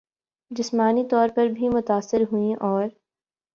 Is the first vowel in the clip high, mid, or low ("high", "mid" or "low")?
high